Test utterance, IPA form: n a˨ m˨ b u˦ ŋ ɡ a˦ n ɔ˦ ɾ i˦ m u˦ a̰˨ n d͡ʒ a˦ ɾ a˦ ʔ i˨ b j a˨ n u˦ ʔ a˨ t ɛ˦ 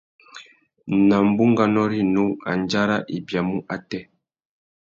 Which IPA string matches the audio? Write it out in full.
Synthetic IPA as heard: n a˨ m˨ b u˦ ŋ ɡ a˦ n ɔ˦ ɾ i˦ n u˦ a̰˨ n d͡ʒ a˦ ɾ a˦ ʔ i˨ b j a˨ m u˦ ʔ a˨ t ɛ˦

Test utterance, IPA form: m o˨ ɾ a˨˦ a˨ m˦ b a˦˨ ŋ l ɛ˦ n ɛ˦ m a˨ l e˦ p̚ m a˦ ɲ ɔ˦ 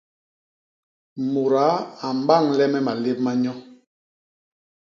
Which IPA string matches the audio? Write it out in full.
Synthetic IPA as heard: m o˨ ɾ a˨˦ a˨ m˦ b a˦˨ ŋ l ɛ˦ m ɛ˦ m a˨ l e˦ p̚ m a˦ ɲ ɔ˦

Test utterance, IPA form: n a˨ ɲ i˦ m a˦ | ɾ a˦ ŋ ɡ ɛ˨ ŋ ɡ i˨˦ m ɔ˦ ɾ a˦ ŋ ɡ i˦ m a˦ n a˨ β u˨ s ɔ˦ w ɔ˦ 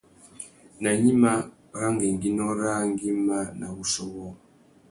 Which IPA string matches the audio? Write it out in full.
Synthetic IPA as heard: n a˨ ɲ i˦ m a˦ | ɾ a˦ ŋ ɡ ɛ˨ ŋ ɡ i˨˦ n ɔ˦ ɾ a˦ ŋ ɡ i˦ m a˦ n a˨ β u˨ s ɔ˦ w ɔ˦

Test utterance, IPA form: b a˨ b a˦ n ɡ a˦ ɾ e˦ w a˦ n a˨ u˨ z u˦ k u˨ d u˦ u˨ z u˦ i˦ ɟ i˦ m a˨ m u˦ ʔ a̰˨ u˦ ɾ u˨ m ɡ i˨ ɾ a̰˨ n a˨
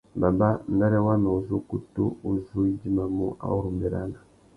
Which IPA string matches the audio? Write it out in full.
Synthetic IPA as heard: b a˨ b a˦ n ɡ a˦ ɾ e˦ w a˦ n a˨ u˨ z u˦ k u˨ t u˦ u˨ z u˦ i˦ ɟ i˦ m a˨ m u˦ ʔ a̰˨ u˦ ɾ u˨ m b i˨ ɾ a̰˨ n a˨

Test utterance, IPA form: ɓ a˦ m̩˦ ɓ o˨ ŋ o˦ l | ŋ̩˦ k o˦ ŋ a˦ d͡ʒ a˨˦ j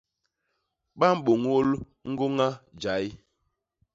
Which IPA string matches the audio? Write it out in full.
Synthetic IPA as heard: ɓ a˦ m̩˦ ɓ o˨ ŋ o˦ l | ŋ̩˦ ɡ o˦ ŋ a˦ d͡ʒ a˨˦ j

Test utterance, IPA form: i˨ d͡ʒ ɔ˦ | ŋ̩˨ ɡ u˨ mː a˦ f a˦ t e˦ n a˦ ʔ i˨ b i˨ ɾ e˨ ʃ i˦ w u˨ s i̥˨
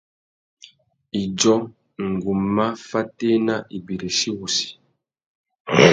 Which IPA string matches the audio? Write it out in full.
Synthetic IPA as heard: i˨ d͡ʒ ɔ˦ | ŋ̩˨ ɡ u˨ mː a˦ f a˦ t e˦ n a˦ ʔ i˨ b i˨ ɾ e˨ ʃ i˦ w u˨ s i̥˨

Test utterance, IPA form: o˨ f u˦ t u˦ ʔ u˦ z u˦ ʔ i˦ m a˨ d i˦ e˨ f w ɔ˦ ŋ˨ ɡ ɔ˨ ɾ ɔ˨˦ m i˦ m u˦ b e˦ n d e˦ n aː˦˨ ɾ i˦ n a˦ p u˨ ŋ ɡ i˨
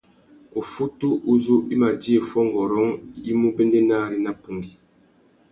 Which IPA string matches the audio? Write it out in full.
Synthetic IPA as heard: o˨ f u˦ t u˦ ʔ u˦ z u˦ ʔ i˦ m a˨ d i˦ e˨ f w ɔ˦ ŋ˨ ɡ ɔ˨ ɾ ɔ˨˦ ŋ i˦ m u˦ b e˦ n d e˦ n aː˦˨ ɾ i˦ n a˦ p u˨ ŋ ɡ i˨

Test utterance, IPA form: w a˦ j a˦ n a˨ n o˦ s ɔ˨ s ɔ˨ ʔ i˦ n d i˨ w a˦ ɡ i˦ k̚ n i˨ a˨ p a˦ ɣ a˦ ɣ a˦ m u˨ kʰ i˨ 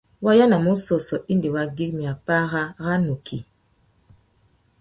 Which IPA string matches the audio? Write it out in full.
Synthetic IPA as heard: w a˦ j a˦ n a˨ m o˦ s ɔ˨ s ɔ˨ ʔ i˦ n d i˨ w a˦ ɡ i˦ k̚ m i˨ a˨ p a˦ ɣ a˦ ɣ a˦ n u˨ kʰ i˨

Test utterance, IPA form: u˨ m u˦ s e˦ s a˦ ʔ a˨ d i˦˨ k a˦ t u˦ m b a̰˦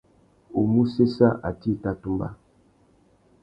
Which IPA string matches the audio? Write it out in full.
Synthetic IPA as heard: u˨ m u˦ s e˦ s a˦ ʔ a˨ t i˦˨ t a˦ t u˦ m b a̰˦

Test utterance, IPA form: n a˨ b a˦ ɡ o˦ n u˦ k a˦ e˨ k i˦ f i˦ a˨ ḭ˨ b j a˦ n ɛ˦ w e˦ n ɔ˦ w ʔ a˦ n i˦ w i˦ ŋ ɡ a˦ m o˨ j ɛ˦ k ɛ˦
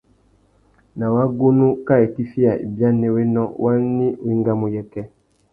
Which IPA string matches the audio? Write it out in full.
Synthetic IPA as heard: n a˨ w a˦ ɡ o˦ n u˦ k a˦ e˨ k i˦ f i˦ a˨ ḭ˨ b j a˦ n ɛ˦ w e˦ n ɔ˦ w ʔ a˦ n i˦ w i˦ ŋ ɡ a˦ m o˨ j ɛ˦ k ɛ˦

